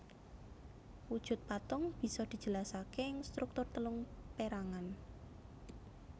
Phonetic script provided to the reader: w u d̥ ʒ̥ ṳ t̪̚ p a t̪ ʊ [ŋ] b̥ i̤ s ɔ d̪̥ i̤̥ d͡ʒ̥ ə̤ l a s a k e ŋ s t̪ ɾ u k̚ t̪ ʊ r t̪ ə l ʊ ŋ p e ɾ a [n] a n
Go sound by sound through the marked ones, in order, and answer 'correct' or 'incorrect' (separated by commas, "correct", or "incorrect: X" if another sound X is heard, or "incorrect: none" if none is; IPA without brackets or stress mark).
correct, incorrect: ŋ